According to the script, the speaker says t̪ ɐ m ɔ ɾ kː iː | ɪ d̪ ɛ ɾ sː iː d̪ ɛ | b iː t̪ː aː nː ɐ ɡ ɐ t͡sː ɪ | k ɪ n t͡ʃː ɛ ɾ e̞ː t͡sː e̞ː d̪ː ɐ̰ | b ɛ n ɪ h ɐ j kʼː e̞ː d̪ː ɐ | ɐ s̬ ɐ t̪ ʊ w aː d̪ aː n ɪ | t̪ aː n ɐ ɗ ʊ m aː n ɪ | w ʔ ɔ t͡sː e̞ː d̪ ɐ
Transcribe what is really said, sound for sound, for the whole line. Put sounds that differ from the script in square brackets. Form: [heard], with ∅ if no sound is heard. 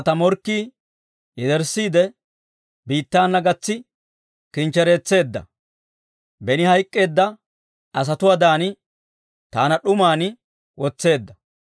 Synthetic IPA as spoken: t̪ ɐ m ɔ ɾ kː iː | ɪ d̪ ɛ ɾ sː iː d̪ ɛ | b iː t̪ː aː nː ɐ ɡ ɐ t͡sː ɪ | k ɪ n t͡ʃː ɛ ɾ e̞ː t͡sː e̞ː d̪ː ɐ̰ | b ɛ n ɪ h ɐ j kʼː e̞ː d̪ː ɐ | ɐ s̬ ɐ t̪ ʊ w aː d̪ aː n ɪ | t̪ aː n ɐ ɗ ʊ m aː n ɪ | w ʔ ɔ t͡sː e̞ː [d̪ː] ɐ